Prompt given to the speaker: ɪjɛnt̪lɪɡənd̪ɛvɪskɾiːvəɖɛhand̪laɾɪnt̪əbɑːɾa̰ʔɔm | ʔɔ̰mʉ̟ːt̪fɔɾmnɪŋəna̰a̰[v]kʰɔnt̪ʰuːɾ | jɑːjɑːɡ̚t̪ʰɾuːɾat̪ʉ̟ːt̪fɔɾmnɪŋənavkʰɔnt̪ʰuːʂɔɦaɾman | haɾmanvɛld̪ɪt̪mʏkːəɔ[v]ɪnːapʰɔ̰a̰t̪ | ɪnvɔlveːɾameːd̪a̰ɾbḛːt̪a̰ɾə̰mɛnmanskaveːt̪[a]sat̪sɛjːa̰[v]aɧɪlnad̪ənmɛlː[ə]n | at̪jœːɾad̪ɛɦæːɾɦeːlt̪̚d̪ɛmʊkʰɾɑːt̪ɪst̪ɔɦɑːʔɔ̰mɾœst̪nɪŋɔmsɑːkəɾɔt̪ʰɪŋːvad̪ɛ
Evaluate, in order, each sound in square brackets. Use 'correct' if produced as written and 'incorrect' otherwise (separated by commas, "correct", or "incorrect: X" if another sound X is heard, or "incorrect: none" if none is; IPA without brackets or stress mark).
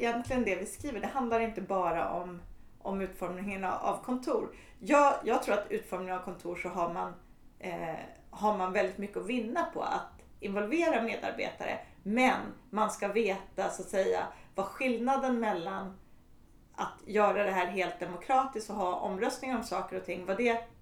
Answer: correct, correct, correct, correct, incorrect: a